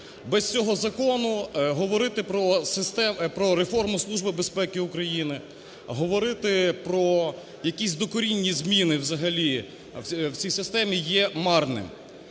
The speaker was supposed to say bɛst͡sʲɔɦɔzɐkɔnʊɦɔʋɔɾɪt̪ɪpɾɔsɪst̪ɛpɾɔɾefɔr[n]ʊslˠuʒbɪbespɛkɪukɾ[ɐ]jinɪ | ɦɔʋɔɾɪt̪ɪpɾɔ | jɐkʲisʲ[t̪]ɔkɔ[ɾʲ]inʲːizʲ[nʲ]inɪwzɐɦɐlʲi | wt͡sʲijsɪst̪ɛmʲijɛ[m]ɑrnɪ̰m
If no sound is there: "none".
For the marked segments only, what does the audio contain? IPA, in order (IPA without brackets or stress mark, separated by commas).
m, ɐ, d̪, ɾʲ, mʲ, m